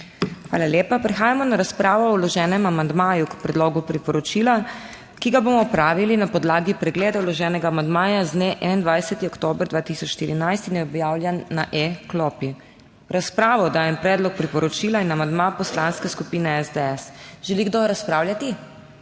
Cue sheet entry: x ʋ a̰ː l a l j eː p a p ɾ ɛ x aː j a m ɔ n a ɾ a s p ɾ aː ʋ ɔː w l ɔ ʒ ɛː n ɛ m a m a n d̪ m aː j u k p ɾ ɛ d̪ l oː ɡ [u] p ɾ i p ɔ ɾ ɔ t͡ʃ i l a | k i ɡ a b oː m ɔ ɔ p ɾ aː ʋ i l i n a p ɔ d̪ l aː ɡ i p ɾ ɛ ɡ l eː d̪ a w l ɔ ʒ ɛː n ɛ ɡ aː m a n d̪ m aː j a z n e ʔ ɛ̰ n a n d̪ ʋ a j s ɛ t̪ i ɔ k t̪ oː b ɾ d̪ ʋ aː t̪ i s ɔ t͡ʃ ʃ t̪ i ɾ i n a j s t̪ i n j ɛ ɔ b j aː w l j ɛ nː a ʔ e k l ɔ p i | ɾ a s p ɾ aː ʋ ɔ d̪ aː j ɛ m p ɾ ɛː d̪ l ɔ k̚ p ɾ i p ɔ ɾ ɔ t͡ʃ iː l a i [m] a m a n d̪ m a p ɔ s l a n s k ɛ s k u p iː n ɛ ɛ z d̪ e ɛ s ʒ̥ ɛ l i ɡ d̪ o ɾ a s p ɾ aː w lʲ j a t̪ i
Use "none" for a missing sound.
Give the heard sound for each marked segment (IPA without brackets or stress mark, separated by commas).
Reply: u, n